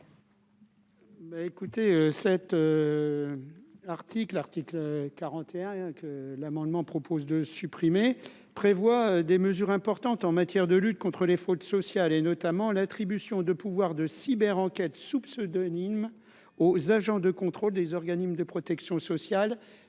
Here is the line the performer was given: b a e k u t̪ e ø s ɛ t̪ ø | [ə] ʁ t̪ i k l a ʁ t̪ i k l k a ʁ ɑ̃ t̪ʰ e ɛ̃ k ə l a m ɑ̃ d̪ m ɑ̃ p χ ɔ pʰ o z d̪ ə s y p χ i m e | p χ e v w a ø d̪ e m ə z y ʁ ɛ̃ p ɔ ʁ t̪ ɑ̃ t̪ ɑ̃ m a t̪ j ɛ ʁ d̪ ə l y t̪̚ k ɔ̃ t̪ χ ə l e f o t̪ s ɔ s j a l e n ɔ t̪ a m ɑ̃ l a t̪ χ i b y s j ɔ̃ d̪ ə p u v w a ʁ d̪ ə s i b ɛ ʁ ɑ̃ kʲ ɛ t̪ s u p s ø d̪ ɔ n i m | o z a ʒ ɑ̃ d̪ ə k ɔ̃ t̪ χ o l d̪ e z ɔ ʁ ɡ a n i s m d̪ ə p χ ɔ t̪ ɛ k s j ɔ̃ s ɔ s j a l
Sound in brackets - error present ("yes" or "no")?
yes